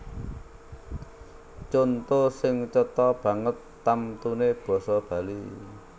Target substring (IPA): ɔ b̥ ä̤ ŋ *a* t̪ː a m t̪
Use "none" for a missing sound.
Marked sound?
ə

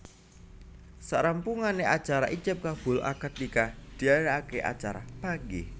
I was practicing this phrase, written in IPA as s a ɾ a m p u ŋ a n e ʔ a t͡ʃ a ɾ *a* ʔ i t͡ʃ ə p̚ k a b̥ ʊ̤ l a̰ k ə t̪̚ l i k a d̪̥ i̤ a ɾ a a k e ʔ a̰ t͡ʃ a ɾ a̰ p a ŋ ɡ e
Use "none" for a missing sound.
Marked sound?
a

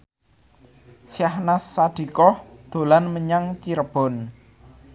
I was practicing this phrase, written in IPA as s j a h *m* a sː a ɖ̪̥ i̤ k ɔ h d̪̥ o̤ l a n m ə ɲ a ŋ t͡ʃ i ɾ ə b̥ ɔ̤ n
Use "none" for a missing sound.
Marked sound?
n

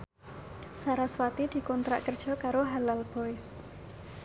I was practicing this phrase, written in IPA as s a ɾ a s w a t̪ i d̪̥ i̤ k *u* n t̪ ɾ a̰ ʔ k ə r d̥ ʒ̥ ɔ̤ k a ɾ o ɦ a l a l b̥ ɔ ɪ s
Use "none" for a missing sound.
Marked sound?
ɔ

